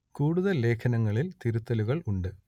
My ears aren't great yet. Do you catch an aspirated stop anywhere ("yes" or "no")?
yes